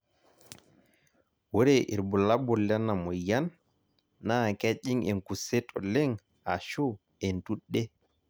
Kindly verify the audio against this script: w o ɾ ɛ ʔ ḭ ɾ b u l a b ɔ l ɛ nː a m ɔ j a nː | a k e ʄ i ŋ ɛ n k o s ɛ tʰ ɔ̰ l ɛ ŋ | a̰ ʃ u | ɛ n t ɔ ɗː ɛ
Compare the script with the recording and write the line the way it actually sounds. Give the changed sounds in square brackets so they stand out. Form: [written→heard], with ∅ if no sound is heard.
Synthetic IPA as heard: w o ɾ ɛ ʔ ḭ ɾ b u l a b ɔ l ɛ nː a m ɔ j a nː | a k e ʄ i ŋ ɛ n k [o→u] s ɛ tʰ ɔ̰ l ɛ ŋ | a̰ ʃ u | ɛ n t [ɔ→u] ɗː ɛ